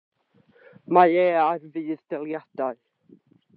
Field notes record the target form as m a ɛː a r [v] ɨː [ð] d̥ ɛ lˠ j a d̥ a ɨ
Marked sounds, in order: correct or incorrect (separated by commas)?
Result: correct, correct